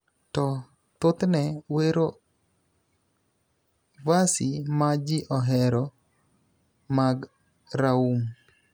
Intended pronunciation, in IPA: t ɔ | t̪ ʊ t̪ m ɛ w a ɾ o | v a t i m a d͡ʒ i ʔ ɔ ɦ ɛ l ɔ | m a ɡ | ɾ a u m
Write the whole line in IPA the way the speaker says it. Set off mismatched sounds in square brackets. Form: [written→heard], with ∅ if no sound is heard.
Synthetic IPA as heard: t ɔ | t̪ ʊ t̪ [m→n] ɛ w [a→e] ɾ o | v a [t→s] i m a d͡ʒ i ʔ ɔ ɦ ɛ [l→ɾ] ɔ | m a ɡ | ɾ a u m